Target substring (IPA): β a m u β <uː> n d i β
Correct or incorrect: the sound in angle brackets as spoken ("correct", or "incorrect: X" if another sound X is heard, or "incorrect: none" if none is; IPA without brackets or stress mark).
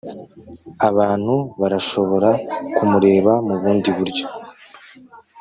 correct